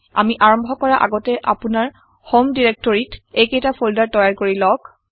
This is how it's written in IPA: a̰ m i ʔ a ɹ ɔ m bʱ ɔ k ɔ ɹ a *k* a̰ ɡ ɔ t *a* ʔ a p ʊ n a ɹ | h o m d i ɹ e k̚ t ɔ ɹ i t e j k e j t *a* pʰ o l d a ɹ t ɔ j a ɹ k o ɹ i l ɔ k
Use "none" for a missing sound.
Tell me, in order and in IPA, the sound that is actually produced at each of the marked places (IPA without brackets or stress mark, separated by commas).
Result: ʔ, ɛ, a